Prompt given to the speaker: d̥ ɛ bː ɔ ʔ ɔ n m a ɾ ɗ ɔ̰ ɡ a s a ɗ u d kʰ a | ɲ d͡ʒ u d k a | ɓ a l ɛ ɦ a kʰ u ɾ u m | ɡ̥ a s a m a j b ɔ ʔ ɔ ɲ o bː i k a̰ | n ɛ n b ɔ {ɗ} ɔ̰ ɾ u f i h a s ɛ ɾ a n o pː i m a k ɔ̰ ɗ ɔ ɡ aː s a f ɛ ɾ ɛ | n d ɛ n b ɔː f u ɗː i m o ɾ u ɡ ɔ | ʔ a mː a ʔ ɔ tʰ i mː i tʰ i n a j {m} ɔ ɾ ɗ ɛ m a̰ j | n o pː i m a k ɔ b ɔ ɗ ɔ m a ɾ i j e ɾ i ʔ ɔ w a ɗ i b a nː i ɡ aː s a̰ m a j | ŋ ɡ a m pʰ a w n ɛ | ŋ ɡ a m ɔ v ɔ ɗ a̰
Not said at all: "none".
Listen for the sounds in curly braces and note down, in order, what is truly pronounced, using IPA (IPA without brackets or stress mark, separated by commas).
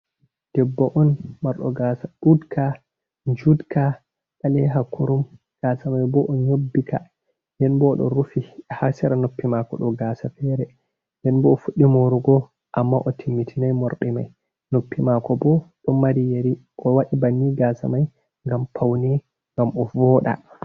ɗ, m